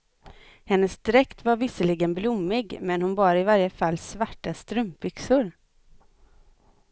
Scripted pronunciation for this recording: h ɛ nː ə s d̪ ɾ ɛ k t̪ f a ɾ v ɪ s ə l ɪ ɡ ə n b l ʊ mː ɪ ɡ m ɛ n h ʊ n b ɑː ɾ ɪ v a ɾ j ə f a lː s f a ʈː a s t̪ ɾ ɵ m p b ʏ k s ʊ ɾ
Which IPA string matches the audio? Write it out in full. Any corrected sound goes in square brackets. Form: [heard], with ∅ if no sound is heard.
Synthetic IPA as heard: h ɛ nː ə s d̪ ɾ ɛ k t̪ [v] a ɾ v ɪ s ə l ɪ ɡ ə n b l ʊ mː ɪ ɡ m ɛ n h ʊ n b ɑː ɾ ɪ v a ɾ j ə f a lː s [v] a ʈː a s t̪ ɾ ɵ m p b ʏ k s ʊ ɾ